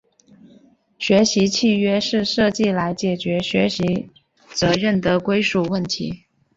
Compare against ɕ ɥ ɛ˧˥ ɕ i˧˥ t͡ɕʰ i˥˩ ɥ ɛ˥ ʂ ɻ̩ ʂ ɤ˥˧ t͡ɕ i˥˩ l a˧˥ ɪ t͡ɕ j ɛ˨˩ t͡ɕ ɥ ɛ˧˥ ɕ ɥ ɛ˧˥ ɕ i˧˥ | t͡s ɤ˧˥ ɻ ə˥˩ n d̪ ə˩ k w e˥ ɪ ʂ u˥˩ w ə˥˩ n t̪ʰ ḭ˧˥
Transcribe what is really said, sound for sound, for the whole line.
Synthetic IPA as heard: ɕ ɥ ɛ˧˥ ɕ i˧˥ t͡ɕʰ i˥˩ ɥ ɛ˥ ʂ ɻ̩ ʂ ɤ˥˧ t͡ɕ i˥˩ l a˧˥ ɪ t͡ɕ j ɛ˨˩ t͡ɕ ɥ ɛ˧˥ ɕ ɥ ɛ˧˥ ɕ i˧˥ | t͡s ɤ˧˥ ɻ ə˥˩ n d̪ ə˩ k w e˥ ɪ ʂ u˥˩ w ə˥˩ n t̪ʰ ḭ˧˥

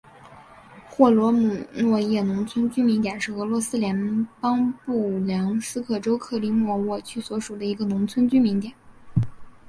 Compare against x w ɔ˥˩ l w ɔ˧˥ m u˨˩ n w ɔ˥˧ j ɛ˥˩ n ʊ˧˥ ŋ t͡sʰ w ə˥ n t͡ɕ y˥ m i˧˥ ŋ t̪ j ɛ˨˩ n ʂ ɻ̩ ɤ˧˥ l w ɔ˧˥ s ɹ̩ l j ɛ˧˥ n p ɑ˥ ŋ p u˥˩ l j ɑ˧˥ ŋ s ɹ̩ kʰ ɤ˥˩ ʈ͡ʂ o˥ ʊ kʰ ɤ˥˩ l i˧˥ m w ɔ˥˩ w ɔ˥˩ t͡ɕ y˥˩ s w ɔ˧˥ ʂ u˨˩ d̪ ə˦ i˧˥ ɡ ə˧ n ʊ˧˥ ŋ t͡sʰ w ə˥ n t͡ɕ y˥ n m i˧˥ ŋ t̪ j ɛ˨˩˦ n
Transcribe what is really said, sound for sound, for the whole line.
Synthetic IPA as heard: x w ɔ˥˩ l w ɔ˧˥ m u˨˩ n w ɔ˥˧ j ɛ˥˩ n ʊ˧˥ ŋ t͡sʰ w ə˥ n t͡ɕ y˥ m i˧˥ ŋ t̪ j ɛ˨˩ n ʂ ɻ̩ ɤ˧˥ l w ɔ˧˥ s ɹ̩ l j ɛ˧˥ n p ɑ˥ ŋ p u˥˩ l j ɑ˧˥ ŋ s ɹ̩ kʰ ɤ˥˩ ʈ͡ʂ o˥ ʊ kʰ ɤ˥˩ l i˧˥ m w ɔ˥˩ w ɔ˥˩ t͡ɕʰ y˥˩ s w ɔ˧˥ ʂ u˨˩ d̪ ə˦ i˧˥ ɡ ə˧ n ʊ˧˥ ŋ t͡sʰ w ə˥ n t͡ɕ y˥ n m i˧˥ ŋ t̪ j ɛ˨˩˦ n

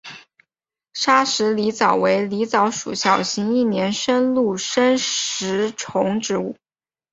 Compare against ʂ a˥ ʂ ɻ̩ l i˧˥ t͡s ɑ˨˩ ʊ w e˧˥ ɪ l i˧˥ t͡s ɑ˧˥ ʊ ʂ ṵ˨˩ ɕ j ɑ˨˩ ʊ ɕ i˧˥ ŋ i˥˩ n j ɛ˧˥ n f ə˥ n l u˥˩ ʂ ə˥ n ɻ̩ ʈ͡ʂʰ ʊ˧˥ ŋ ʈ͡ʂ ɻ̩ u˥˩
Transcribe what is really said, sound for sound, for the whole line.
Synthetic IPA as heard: ʂ a˥ ʂ ɻ̩ l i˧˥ t͡s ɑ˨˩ ʊ w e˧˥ ɪ l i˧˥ t͡s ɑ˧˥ ʊ ʂ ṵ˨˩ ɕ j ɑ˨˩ ʊ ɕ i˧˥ ŋ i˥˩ n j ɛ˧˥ n ʂ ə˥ n l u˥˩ ʂ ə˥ n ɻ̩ ʈ͡ʂʰ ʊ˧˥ ŋ ʈ͡ʂ ɻ̩ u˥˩

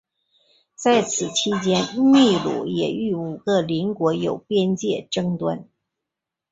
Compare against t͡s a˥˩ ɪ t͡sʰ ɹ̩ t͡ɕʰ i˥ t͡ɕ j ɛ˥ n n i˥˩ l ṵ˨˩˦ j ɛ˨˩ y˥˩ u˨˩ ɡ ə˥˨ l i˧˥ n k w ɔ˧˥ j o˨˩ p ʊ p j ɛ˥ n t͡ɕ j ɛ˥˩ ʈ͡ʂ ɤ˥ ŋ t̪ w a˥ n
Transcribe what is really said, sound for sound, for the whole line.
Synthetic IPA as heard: t͡s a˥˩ ɪ t͡sʰ ɹ̩ t͡ɕʰ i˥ t͡ɕ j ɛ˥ n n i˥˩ l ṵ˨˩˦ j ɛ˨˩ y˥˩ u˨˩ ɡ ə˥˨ l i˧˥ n k w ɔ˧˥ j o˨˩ ʊ p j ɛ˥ n t͡ɕ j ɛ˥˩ ʈ͡ʂ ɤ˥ ŋ t̪ w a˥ n

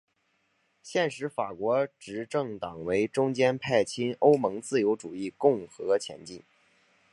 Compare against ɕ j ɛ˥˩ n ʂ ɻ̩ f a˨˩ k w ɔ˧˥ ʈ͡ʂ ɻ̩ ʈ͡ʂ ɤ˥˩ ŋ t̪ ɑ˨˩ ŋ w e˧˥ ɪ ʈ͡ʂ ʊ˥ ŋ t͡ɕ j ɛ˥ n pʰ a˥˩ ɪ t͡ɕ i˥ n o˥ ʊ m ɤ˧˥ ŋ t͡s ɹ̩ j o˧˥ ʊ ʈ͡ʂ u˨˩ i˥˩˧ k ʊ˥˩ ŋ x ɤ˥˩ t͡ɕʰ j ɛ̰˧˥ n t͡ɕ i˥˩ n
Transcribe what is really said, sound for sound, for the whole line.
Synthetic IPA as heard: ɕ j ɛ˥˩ n ʂ ɻ̩ f a˨˩ k w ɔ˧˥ ʈ͡ʂ ɻ̩ ʈ͡ʂ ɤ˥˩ ŋ t̪ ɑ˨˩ ŋ w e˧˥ ɪ ʈ͡ʂ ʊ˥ ŋ t͡ɕ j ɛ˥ n pʰ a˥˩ ɪ t͡ɕʰ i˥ n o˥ ʊ m ɤ˧˥ ŋ t͡s ɹ̩ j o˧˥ ʊ ʈ͡ʂ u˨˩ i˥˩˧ k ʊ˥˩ ŋ x ɤ˧˥ t͡ɕʰ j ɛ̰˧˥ n t͡ɕ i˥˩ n

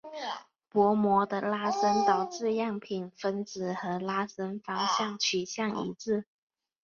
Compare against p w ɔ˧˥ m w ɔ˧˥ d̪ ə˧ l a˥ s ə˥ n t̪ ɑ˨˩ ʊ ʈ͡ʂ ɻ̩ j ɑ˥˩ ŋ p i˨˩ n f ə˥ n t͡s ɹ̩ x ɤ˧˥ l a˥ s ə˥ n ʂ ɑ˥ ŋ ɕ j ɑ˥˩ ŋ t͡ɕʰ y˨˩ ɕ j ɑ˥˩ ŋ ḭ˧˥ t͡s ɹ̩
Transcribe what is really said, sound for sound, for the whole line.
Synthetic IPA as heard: p w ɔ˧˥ m w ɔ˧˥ d̪ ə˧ l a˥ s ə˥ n t̪ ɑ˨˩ ʊ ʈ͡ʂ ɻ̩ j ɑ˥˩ ŋ pʰ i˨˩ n f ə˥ n t͡s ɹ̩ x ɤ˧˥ l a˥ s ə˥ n f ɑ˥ ŋ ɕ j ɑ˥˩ ŋ t͡ɕʰ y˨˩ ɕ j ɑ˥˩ ŋ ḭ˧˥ t͡s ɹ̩

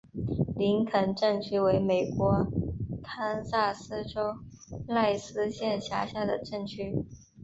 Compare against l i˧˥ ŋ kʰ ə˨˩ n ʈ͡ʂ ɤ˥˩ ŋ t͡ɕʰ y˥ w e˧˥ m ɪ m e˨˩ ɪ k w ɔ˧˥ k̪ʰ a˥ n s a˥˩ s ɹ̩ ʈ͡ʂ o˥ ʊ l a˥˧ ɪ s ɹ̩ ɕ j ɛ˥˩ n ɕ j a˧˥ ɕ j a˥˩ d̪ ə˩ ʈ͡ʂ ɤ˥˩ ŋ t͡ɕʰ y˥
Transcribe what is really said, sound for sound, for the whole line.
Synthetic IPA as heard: l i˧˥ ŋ kʰ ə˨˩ n ʈ͡ʂ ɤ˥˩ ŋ t͡ɕʰ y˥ w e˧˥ ɪ m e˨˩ ɪ k w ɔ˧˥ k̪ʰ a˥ n s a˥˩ s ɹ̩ ʈ͡ʂ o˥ ʊ l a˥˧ ɪ s ɹ̩ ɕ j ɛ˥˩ n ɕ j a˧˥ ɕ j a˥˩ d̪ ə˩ ʈ͡ʂ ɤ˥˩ ŋ t͡ɕʰ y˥

